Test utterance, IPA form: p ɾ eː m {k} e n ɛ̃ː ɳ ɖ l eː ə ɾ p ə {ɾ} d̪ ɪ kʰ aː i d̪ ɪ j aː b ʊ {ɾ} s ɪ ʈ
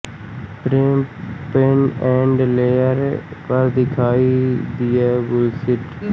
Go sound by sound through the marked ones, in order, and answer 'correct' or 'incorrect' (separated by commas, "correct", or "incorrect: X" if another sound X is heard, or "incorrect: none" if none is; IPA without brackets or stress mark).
incorrect: p, correct, incorrect: l